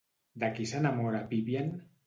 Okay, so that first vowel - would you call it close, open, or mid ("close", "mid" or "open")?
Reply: open